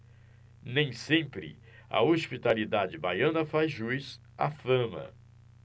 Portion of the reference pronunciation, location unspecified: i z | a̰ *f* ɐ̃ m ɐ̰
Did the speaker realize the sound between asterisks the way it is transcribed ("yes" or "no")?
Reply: yes